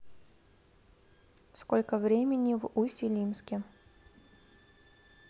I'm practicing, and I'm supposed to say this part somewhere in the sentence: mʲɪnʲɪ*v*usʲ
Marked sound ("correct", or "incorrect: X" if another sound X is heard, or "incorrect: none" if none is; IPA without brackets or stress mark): correct